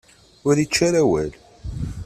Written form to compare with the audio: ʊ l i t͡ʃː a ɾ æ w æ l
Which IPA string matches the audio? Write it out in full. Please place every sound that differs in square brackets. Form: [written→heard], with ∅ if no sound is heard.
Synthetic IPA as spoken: ʊ [l→ɾ] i t͡ʃː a ɾ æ w æ l